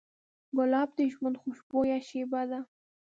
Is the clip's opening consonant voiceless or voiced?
voiced